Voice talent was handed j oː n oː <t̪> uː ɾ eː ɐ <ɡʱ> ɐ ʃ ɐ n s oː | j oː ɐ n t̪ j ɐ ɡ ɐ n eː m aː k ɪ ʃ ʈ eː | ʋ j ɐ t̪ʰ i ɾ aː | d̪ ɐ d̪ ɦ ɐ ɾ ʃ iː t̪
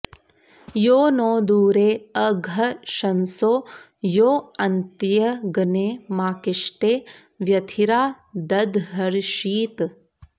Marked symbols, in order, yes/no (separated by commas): no, yes